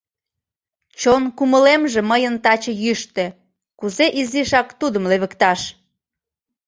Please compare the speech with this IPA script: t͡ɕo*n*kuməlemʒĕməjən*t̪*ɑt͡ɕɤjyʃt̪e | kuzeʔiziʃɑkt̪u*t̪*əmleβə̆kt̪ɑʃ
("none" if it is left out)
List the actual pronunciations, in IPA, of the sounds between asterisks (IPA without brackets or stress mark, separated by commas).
n, t̪, d̪